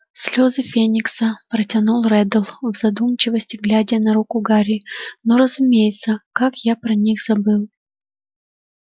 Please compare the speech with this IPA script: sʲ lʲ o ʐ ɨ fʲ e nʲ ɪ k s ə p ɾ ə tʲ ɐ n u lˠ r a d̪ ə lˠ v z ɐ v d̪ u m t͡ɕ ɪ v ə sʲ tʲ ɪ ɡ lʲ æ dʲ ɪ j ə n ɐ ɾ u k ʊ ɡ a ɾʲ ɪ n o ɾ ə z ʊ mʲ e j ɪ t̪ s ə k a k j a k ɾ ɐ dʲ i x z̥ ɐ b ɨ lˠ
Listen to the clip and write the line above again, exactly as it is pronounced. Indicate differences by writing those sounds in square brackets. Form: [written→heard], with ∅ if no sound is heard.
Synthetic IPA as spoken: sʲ lʲ o [ʐ→z] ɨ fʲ e nʲ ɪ k s ə p ɾ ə tʲ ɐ n u lˠ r [a→ɛ] d̪ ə lˠ v z ɐ [v→∅] d̪ u m t͡ɕ ɪ v ə sʲ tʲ ɪ ɡ lʲ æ dʲ ɪ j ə n ɐ ɾ u k ʊ ɡ a ɾʲ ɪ n o ɾ ə z ʊ mʲ e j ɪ t̪ s ə k a k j a [k→p] ɾ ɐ [dʲ→nʲ] i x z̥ ɐ b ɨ lˠ